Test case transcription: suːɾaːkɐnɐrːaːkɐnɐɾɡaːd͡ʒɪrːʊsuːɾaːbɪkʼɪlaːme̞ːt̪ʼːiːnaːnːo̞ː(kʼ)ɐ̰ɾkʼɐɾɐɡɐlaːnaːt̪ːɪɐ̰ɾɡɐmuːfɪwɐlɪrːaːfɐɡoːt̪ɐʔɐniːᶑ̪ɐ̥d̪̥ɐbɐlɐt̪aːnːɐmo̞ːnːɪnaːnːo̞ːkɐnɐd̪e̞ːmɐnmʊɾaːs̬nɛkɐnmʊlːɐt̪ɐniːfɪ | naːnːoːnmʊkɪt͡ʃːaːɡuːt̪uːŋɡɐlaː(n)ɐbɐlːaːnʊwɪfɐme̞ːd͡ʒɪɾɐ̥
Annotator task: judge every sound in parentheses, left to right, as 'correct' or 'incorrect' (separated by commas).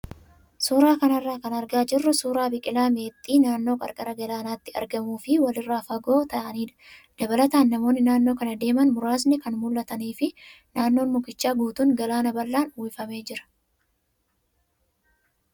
correct, correct